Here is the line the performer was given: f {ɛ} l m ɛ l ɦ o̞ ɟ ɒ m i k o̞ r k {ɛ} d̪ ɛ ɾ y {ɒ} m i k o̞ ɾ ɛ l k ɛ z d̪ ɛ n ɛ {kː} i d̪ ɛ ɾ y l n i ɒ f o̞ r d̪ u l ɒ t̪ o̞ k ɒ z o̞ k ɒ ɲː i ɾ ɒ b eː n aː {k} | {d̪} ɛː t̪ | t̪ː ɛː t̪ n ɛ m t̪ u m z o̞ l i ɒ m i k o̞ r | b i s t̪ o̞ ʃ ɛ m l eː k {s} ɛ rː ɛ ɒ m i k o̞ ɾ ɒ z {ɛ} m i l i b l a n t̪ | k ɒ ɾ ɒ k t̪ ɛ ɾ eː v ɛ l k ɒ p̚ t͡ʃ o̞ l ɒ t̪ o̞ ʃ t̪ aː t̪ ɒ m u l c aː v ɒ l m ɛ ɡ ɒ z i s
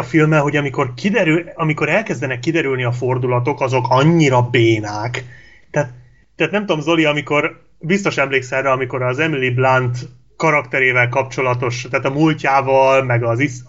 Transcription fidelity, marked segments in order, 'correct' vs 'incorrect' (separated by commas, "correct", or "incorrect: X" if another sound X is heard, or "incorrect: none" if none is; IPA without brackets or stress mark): incorrect: i, incorrect: i, correct, correct, correct, incorrect: t̪, correct, correct